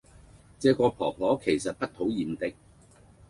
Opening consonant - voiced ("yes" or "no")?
no